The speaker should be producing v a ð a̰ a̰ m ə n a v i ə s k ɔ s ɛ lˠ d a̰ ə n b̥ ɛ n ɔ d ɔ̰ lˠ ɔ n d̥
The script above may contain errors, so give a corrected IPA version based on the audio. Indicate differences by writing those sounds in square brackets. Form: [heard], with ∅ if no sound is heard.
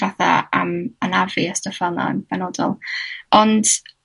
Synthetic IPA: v a [θ] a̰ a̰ m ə n a v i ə s [t] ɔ [f] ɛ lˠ [n] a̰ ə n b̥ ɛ n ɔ d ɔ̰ lˠ ɔ n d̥